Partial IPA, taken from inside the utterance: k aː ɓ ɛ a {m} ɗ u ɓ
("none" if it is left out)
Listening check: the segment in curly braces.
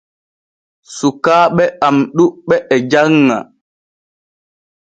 m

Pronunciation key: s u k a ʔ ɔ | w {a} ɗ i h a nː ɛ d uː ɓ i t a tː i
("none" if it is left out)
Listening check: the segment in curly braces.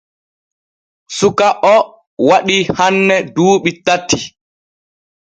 a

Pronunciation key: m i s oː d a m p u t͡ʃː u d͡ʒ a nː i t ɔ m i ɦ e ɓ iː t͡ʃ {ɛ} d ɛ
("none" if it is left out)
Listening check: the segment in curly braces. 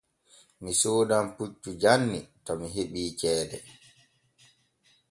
ɛː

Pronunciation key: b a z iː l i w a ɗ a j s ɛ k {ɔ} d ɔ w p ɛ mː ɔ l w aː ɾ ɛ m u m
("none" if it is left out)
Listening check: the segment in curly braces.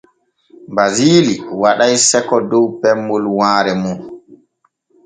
ɔ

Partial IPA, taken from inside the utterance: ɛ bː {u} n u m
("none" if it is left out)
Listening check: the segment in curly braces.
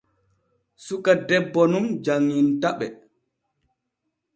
ɔ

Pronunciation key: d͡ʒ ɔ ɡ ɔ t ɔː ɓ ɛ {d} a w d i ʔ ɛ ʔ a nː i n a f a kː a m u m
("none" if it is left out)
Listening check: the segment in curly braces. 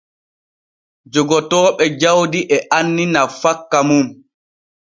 d͡ʒ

